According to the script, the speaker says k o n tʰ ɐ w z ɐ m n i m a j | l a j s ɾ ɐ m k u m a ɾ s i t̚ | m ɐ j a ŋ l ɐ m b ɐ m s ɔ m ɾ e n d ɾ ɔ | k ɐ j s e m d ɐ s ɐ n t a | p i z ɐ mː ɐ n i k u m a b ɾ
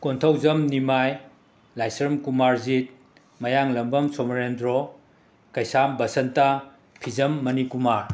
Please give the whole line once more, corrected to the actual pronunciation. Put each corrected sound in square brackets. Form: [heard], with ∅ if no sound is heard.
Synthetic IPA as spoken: k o n tʰ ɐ w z ɐ m n i m a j | l a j s ɾ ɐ m k u m a ɾ [z] i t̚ | m ɐ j a ŋ l ɐ m b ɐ m s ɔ m ɾ e n d ɾ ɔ | k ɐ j s [a] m [b] ɐ s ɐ n t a | [pʰ] i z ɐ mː ɐ n i k u m a [∅] ɾ